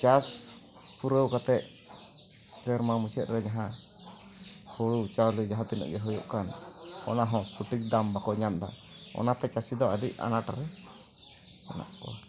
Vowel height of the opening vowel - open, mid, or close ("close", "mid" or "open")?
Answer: open